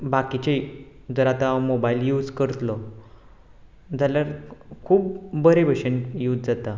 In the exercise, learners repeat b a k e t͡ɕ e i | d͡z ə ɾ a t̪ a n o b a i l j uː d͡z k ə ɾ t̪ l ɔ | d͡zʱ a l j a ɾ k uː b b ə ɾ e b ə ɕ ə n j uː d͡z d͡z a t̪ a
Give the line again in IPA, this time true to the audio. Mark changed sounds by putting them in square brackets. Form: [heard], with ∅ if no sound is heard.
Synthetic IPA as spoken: b a k [i] t͡ɕ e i | d͡z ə ɾ a t̪ a [m] o b a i l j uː d͡z k ə ɾ t̪ l ɔ | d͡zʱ a l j a ɾ [kʰ] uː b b ə ɾ e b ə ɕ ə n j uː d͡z d͡z a t̪ a

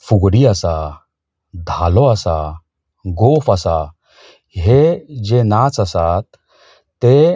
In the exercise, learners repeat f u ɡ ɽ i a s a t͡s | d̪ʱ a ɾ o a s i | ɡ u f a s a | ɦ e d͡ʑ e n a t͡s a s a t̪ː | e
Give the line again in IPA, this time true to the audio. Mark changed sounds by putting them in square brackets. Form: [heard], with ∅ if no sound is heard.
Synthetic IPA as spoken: f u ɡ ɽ i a s a [∅] | d̪ʱ a [l] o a s [a] | ɡ [o] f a s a | ɦ e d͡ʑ e n a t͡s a s a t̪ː | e

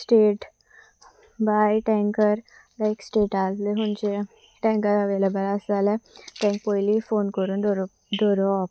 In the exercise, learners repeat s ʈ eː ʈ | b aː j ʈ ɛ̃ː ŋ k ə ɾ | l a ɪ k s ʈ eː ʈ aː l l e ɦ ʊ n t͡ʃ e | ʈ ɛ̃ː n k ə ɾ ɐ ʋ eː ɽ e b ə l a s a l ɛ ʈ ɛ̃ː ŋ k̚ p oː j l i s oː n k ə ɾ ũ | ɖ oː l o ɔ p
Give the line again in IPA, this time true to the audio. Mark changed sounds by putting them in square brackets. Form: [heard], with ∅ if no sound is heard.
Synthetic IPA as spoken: s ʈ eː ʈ | b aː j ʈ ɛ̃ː ŋ k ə ɾ | l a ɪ k s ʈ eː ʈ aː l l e ɦ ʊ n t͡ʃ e | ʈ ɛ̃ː [ŋ] k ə ɾ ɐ ʋ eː [l] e b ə l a s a l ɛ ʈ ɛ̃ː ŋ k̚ p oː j l i [f] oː n k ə ɾ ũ | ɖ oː [ɾ] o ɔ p

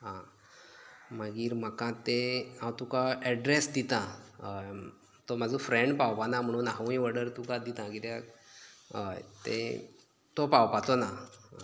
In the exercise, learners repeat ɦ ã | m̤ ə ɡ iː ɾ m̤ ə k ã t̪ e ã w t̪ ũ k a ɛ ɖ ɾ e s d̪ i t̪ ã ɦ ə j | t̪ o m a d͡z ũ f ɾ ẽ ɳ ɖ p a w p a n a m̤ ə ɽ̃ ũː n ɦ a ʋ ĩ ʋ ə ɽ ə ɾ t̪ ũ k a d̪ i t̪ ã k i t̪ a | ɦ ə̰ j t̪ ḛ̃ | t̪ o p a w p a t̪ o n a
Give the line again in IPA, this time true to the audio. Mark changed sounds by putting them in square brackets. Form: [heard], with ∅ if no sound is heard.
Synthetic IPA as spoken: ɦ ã | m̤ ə ɡ iː ɾ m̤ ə k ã t̪ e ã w t̪ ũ k a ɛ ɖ ɾ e s d̪ i t̪ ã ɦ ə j | t̪ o m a d͡z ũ f ɾ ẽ ɳ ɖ p a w p a n a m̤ ə ɽ̃ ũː n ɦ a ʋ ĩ ʋ ə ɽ ə ɾ t̪ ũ k a d̪ i t̪ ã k i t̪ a | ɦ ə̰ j t̪ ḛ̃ | t̪ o p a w p a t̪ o n a

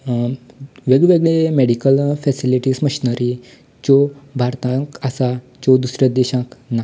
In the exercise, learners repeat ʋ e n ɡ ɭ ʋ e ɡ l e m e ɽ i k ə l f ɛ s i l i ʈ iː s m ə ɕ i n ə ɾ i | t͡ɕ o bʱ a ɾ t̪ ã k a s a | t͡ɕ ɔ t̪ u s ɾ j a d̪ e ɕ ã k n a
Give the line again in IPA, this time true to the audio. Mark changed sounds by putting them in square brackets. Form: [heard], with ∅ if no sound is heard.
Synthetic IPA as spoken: ʋ e [∅] ɡ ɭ ʋ e ɡ [ɭ] e m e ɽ i k ə l f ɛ s i l i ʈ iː s m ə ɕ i n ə ɾ i | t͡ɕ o bʱ a ɾ t̪ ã k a s a | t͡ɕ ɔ [d̪] u s ɾ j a d̪ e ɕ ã k n a

